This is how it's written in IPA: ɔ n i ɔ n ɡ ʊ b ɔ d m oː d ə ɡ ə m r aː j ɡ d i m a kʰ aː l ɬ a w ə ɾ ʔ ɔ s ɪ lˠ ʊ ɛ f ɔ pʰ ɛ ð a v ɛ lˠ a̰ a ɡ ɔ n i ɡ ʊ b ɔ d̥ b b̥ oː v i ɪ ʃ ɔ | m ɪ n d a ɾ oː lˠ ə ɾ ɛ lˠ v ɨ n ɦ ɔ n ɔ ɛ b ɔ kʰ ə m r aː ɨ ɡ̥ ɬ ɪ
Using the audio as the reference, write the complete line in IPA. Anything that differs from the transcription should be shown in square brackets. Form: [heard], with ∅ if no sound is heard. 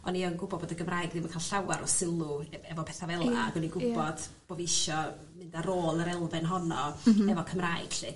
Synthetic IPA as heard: ɔ n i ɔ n ɡ ʊ b ɔ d [b] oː d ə ɡ ə m r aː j ɡ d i m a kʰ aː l ɬ a w [a] ɾ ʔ ɔ s ɪ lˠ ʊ ɛ [v] ɔ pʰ ɛ [θ] a v ɛ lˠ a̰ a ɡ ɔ n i ɡ ʊ b ɔ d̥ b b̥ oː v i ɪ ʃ ɔ | m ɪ n d a ɾ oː lˠ ə ɾ ɛ lˠ v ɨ n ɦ ɔ n ɔ ɛ [v] ɔ kʰ ə m r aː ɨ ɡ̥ ɬ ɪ